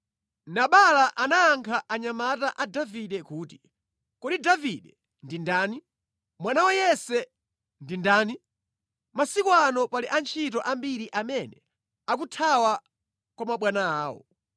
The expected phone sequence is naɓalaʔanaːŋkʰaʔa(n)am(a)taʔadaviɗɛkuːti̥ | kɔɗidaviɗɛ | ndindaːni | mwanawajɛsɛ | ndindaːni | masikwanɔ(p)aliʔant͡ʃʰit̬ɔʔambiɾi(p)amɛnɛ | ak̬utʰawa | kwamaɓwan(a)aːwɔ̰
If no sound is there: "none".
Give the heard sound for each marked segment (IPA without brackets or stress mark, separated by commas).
ɲ, a, p, ʔ, a